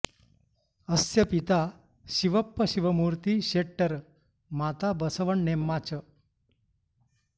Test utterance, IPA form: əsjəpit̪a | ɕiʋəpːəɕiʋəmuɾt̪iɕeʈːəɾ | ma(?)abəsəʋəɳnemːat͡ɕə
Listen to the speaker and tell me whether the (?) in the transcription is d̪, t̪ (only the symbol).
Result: t̪